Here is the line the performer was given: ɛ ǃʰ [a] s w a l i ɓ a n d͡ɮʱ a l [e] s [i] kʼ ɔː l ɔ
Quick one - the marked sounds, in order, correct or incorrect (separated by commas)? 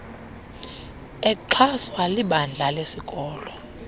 correct, correct, correct